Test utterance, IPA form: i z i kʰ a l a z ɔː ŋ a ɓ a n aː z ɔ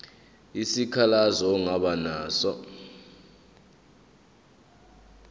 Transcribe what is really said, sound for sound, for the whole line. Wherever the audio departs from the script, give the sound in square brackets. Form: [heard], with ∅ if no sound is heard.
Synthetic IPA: i [s] i kʰ a l a z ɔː ŋ a ɓ a n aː [s] ɔ